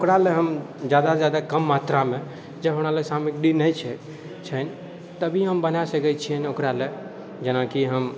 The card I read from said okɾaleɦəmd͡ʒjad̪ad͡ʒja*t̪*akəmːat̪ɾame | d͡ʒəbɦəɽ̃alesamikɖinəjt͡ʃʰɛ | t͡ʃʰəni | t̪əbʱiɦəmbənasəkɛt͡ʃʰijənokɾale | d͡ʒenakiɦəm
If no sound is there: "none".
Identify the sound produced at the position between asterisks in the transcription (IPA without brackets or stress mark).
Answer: d̪